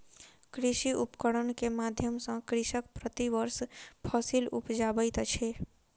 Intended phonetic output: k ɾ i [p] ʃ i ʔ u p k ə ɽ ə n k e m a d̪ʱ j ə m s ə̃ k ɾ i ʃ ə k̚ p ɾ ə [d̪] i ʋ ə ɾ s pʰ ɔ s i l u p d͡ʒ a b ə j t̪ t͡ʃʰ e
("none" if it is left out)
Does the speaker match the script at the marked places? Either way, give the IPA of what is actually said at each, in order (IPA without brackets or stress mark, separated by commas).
none, t̪